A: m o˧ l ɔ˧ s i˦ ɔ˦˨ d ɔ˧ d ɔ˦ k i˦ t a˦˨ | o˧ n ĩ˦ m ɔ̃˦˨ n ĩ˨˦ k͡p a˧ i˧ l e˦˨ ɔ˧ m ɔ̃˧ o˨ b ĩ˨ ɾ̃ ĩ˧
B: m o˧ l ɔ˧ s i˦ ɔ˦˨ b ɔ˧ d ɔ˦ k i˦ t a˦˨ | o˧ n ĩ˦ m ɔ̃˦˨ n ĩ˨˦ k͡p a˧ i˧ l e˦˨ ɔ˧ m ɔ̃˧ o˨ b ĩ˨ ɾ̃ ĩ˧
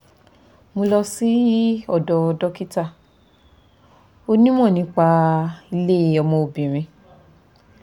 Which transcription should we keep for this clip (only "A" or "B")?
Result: A